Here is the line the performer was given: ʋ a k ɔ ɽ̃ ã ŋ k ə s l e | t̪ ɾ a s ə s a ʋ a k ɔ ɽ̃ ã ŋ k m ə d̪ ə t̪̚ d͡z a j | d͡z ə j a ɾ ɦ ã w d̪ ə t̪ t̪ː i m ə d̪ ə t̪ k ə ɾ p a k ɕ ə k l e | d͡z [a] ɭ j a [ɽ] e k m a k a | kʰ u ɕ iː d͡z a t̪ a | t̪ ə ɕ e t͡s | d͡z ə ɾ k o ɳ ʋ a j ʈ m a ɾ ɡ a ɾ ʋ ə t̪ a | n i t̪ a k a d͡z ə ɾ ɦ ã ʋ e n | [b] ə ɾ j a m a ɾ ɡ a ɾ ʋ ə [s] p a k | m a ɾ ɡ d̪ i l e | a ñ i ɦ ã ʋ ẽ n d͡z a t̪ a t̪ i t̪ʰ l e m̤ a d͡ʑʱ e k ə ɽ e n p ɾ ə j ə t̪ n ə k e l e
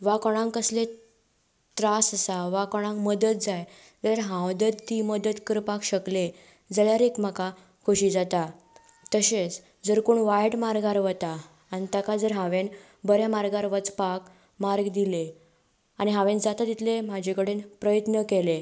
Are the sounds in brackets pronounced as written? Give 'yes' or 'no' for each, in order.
no, no, yes, no

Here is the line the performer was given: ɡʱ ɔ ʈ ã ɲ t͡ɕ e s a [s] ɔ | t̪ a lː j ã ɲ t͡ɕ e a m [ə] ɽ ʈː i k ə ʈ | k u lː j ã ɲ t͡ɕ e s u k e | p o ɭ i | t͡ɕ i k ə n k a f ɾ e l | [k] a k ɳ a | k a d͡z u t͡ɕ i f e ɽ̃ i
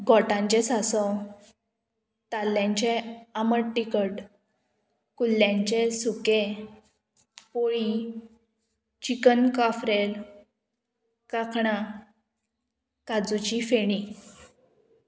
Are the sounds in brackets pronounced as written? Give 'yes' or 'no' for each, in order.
yes, yes, yes

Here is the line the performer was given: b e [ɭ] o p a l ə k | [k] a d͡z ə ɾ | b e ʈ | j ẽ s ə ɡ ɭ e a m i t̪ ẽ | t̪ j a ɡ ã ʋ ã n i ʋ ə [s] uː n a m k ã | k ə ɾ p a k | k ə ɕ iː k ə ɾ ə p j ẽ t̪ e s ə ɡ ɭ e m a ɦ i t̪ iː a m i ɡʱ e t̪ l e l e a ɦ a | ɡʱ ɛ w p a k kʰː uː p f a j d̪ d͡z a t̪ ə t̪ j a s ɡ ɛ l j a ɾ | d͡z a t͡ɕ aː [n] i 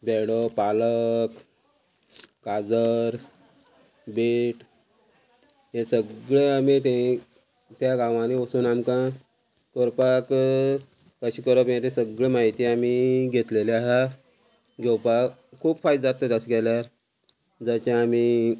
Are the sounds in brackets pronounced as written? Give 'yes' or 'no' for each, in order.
no, yes, yes, no

